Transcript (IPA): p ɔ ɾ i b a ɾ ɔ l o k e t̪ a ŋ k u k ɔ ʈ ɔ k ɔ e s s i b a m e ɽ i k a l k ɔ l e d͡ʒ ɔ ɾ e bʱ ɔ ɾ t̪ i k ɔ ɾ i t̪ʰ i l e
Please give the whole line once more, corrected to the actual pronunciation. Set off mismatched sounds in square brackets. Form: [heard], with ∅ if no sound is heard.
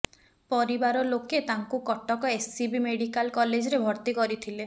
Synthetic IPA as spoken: p ɔ ɾ i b a ɾ ɔ l o k e t̪ a ŋ k u k ɔ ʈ ɔ k ɔ e s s i b [i] m e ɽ i k a l k ɔ l e d͡ʒ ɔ ɾ e bʱ ɔ ɾ t̪ i k ɔ ɾ i t̪ʰ i l e